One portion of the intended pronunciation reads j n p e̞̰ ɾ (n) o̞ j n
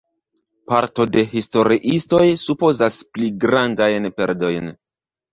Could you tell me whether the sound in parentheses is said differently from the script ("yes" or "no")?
yes